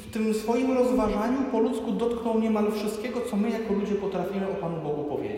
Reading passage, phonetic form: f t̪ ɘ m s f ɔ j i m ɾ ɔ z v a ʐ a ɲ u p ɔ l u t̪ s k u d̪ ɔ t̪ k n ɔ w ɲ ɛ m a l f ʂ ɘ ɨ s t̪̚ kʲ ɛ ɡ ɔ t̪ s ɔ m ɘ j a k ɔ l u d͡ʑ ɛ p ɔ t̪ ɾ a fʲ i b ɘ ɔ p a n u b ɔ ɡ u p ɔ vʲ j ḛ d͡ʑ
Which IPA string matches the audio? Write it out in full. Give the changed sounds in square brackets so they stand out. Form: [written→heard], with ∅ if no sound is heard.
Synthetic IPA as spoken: f t̪ ɘ m s f ɔ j i m ɾ ɔ z v a ʐ a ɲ u p ɔ l u t̪ s k u d̪ ɔ t̪ k n ɔ w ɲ ɛ m a l f ʂ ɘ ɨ s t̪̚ kʲ ɛ ɡ ɔ t̪ s ɔ m ɘ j a k ɔ l u d͡ʑ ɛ p ɔ t̪ ɾ a fʲ i [b→m] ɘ ɔ p a n u b ɔ ɡ u p ɔ vʲ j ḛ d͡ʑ